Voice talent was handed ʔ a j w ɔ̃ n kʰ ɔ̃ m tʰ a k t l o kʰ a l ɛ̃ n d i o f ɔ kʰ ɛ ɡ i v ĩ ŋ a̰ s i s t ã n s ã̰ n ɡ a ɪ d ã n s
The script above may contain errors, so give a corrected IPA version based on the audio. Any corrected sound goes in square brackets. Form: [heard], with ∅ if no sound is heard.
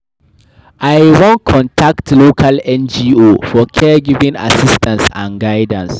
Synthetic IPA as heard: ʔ a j w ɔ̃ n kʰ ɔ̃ [n] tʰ a k t l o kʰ a l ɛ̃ n [d͡ʒ] i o f ɔ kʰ ɛ ɡ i v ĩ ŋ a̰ s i s t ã n s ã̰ n ɡ a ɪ d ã n s